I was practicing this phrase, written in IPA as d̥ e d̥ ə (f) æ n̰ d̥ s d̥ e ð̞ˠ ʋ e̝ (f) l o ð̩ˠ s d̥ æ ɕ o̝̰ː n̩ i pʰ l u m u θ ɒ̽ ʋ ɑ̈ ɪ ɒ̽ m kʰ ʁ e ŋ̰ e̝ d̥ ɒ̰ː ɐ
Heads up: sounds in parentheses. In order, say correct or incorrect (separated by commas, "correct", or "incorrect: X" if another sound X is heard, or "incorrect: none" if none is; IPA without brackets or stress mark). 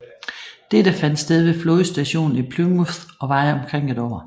correct, correct